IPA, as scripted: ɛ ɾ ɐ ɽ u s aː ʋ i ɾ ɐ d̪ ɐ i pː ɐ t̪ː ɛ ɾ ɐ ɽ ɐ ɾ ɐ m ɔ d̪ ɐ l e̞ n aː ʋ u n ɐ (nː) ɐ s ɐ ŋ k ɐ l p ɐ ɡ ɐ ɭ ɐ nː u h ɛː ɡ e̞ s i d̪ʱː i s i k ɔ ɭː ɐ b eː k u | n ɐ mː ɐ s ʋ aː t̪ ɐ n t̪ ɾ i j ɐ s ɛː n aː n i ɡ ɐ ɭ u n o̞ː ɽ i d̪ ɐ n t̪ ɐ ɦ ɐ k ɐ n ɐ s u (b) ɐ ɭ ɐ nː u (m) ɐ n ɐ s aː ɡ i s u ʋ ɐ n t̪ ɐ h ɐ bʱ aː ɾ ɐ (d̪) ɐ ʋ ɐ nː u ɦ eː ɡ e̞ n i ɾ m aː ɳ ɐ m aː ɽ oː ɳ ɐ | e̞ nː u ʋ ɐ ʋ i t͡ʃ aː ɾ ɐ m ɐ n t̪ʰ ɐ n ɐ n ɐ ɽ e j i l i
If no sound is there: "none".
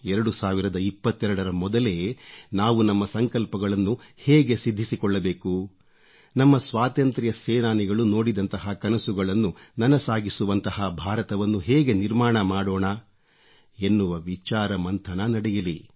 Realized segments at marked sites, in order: mː, ɡ, n, t̪

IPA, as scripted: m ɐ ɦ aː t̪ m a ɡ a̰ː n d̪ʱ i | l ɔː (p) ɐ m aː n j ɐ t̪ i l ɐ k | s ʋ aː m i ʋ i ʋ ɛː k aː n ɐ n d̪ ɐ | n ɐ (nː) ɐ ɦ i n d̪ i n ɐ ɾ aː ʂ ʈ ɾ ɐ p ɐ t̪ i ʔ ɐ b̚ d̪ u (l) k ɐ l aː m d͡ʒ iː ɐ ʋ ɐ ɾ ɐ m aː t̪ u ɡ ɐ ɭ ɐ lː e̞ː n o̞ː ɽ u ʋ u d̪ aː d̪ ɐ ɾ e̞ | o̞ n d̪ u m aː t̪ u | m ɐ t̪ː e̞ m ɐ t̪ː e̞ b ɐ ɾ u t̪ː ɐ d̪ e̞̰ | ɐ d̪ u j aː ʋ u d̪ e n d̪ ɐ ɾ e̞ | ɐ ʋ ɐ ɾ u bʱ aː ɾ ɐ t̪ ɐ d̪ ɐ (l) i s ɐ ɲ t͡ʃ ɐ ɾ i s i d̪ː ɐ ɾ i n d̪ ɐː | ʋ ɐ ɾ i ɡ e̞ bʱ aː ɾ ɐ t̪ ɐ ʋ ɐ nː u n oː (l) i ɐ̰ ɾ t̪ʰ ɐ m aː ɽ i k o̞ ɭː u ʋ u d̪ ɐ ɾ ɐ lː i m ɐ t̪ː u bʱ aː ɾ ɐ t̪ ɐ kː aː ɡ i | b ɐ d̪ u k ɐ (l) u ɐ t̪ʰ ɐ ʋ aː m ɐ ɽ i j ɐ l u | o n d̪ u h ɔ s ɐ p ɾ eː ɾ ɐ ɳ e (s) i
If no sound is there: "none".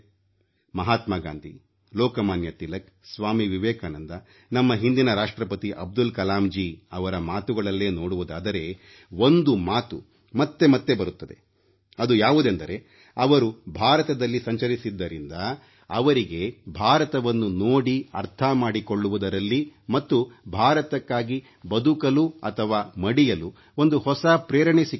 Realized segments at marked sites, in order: k, mː, l, lː, ɽ, l, s

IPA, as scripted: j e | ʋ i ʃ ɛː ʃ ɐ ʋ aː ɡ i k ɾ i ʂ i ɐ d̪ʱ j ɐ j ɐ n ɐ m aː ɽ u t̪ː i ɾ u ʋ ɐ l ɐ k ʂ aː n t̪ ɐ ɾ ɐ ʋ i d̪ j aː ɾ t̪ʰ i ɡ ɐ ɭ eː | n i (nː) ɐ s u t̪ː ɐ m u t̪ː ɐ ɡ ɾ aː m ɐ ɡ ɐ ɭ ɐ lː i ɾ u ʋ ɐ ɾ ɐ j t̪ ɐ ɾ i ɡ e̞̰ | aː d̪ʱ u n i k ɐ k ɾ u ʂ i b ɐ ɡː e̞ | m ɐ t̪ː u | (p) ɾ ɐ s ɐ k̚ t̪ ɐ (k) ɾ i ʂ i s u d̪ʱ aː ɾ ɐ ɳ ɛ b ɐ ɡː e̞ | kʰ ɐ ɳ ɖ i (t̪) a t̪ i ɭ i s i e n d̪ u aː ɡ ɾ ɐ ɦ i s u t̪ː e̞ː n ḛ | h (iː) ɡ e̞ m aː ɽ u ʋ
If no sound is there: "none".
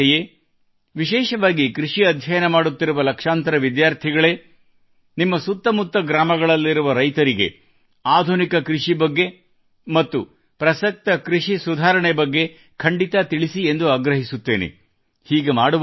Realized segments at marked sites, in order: mː, p, k, t̪, iː

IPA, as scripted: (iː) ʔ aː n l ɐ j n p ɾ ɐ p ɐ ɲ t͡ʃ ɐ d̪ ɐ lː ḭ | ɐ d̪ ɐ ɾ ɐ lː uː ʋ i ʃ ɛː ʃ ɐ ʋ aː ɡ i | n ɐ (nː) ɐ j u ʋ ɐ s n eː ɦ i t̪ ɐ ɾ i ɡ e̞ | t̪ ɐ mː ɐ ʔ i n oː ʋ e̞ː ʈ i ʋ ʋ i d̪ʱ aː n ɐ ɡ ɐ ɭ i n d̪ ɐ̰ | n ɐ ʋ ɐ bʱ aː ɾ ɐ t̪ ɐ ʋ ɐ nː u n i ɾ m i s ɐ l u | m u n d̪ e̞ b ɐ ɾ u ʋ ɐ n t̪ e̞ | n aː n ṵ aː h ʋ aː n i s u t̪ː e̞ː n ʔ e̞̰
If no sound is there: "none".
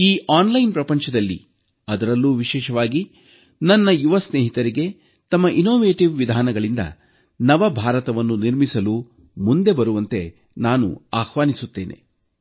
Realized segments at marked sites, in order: iː, nː

